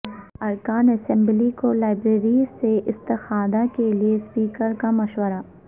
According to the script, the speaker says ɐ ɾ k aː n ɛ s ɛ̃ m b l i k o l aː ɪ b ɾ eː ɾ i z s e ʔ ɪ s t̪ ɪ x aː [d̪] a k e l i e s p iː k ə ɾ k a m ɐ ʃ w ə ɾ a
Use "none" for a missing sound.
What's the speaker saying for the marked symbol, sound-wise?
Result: d̪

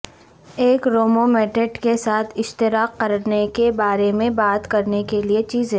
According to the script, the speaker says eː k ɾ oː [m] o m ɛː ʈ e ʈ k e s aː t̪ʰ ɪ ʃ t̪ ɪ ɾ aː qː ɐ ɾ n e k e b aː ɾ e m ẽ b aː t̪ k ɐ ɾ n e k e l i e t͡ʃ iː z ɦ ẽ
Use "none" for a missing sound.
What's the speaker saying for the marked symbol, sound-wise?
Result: m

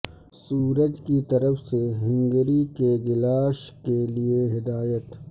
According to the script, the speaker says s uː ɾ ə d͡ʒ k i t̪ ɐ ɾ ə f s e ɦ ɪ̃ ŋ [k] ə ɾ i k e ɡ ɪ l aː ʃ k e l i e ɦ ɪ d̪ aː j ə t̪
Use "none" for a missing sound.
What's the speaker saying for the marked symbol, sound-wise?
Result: ɡ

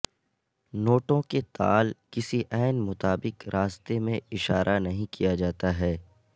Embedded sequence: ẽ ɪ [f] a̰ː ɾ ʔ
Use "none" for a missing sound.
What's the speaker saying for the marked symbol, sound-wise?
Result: ʃ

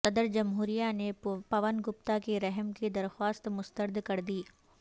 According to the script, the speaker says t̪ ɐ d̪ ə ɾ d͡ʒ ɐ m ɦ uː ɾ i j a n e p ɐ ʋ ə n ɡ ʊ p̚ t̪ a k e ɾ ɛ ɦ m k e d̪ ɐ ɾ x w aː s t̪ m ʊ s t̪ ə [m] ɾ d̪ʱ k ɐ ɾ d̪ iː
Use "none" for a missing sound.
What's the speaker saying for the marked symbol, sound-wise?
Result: none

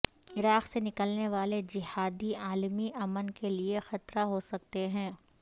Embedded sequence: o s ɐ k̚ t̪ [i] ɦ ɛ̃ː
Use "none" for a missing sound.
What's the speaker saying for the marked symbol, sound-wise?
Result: e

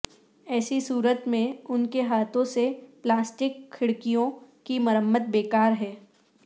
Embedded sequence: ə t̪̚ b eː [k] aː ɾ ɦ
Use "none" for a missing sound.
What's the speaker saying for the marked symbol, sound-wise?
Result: k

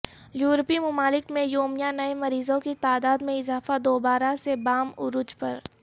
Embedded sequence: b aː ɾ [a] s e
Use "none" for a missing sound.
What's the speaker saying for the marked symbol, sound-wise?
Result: a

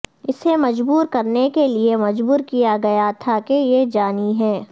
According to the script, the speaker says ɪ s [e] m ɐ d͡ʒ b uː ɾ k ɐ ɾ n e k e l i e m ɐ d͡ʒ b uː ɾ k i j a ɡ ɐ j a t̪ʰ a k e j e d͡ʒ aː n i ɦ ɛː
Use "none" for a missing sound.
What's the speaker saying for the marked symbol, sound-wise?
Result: e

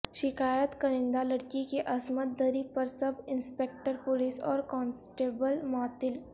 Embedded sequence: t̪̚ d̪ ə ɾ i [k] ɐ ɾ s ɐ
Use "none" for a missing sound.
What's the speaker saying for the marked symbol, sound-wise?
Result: p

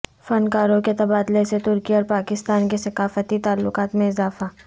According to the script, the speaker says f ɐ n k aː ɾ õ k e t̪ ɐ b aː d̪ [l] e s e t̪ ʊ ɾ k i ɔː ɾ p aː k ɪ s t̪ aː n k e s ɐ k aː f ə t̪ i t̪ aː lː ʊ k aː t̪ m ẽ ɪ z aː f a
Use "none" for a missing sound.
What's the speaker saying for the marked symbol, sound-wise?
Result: l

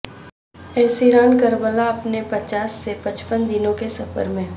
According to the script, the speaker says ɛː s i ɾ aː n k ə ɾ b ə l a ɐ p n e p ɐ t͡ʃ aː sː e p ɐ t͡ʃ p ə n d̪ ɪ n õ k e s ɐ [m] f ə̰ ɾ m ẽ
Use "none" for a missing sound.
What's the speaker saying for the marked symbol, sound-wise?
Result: none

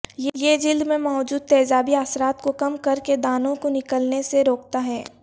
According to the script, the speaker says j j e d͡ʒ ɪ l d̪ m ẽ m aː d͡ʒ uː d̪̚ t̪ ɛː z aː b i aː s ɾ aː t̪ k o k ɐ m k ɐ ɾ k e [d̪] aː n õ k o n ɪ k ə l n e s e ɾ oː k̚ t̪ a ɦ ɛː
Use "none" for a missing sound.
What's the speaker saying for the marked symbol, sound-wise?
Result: d̪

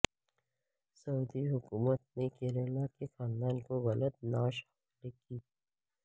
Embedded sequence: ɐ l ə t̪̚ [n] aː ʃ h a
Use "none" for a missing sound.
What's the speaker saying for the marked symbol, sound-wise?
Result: n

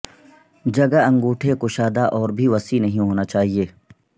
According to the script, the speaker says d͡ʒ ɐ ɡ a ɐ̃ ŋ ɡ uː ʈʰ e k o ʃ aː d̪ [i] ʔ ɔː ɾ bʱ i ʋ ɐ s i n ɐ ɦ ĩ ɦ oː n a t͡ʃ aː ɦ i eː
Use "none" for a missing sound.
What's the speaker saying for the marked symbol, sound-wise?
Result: a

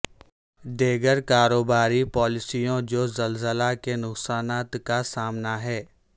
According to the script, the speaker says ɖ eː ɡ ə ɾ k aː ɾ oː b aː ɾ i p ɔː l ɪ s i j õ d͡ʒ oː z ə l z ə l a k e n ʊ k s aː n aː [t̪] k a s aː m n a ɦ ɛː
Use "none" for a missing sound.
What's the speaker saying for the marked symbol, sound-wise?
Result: t̪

